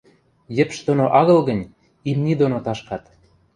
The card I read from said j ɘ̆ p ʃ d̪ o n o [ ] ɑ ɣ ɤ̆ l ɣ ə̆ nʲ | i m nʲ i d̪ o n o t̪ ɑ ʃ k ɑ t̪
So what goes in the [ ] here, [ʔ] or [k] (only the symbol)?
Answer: ʔ